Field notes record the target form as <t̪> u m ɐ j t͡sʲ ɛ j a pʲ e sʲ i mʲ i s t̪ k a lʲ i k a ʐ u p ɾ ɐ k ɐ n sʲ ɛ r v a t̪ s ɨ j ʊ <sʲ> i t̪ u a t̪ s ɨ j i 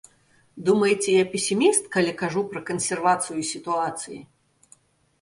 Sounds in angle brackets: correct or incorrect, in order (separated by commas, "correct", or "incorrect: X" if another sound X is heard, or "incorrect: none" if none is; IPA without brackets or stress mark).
incorrect: d̪, correct